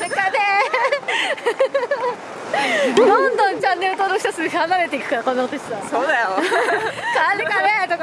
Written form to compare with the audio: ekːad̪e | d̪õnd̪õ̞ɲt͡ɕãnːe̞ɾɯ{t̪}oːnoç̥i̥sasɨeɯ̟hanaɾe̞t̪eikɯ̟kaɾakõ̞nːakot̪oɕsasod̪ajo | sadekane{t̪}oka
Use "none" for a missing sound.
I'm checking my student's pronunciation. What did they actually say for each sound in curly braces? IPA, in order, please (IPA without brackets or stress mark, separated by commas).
t̪, t̪